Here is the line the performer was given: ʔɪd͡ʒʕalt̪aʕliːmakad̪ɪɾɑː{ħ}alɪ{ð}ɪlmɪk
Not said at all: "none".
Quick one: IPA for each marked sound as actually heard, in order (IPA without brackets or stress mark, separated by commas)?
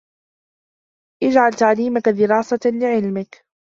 s, ʕ